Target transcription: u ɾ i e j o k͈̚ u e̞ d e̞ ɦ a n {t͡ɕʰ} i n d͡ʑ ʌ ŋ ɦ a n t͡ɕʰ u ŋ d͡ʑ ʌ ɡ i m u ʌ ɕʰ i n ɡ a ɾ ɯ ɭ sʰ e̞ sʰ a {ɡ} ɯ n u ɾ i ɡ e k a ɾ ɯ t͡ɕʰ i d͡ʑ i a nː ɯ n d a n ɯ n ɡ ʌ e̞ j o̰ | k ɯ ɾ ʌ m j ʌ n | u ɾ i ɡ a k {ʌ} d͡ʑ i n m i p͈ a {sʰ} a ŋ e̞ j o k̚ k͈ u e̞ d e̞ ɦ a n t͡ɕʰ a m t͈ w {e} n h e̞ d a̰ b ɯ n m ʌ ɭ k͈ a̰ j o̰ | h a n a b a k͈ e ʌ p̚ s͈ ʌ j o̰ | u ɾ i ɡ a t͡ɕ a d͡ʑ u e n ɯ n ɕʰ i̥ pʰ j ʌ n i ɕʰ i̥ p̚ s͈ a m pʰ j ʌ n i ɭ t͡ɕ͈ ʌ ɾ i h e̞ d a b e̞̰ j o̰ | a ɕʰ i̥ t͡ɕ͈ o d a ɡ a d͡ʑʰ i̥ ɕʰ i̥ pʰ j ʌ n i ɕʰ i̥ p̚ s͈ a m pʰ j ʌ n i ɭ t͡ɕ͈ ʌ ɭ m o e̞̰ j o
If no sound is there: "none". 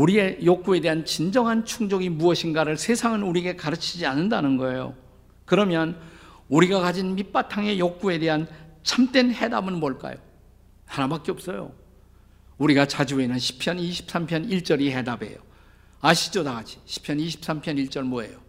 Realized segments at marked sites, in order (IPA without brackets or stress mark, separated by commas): t͡ɕ, ŋ, a, tʰ, e